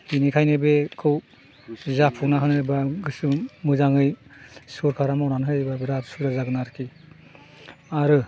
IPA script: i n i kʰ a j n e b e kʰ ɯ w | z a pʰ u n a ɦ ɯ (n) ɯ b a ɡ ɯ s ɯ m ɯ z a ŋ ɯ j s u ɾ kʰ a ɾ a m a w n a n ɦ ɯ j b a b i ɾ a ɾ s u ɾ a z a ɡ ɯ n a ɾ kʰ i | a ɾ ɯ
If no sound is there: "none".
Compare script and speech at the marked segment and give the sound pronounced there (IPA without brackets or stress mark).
n